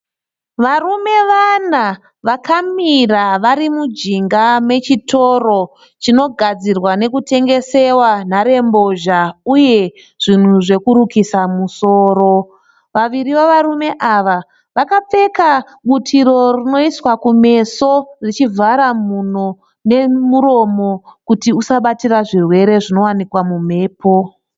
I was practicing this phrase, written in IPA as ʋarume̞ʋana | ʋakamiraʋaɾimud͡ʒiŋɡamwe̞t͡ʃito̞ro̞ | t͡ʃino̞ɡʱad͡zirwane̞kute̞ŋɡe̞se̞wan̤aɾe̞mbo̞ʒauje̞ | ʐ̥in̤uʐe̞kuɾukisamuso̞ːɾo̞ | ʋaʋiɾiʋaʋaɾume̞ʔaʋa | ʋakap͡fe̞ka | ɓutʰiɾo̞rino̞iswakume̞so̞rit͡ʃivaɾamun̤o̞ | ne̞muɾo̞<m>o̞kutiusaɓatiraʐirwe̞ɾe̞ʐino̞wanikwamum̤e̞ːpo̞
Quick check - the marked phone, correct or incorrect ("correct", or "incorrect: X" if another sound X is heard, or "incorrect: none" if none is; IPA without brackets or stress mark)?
correct